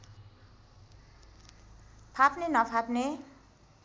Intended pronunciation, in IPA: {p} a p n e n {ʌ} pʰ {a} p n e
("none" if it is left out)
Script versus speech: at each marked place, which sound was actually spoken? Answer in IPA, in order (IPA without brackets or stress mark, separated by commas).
pʰ, ʌ, a